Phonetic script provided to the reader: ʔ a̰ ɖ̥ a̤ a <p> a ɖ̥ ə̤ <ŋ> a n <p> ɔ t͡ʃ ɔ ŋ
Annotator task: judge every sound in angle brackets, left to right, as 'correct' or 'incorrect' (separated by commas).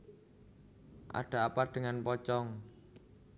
correct, correct, correct